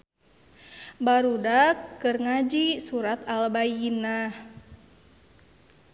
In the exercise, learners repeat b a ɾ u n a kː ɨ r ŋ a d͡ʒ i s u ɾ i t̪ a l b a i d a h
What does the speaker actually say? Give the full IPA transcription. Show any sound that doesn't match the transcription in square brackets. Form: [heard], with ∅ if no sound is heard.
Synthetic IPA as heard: b a ɾ u [d] a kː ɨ r ŋ a d͡ʒ i s u ɾ [a] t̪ a l b a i [n] a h